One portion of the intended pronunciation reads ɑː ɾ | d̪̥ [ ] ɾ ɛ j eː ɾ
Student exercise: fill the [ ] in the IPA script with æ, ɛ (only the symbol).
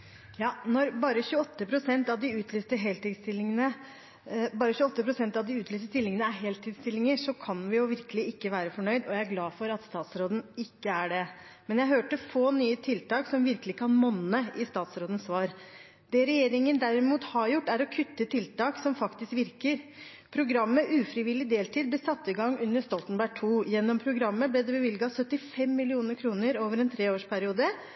ɛ